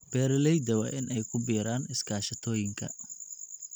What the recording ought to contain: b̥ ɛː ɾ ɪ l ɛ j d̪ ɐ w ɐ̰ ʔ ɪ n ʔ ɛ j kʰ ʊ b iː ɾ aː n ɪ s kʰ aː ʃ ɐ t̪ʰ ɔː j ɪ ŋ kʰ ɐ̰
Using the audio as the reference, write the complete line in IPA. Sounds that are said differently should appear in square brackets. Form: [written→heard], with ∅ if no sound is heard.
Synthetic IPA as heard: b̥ ɛː ɾ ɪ l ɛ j d̪ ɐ w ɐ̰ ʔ ɪ n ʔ ɛ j kʰ ʊ b iː ɾ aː n ɪ s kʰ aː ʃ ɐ t̪ʰ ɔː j ɪ ŋ kʰ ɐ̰